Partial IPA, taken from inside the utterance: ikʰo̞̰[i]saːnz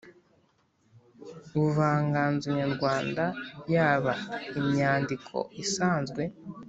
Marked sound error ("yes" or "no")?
no